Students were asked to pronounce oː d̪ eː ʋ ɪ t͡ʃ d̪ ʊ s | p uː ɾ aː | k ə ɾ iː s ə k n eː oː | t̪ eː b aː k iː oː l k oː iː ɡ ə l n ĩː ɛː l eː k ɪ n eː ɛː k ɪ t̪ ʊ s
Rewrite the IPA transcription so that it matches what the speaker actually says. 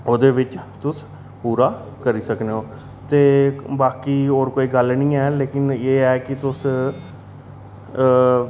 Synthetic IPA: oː d̪ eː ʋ ɪ t͡ʃ t̪ ʊ s | p uː ɾ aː | k ə ɾ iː s ə k n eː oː | t̪ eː b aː k iː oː ɾ k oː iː ɡ ə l n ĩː ɛː l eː k ɪ n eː ɛː k ɪ t̪ ʊ s